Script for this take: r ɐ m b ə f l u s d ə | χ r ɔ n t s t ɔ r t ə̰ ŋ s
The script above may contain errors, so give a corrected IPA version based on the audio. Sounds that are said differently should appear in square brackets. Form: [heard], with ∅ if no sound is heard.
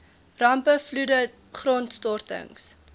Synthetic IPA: r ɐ m [p] ə f l u [∅] d ə | χ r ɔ n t s t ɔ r t ə̰ ŋ s